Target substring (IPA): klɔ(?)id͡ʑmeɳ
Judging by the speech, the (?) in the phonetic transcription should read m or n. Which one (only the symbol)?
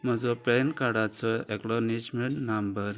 n